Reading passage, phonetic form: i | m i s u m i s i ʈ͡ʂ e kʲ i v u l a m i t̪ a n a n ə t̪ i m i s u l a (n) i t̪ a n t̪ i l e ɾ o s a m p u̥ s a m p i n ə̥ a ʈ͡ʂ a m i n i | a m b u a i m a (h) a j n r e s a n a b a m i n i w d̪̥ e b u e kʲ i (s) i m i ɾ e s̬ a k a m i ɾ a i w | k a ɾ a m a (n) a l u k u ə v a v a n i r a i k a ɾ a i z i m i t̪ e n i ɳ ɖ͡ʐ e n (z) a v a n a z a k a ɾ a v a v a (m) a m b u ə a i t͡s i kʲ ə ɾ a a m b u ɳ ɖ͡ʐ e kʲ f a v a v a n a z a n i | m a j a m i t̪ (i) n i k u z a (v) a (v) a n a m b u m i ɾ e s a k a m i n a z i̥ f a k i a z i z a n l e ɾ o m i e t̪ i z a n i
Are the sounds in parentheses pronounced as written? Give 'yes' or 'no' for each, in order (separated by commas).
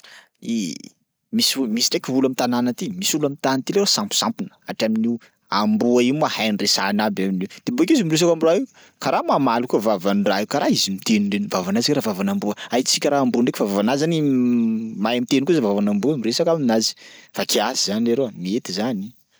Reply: no, yes, no, no, no, no, no, yes, yes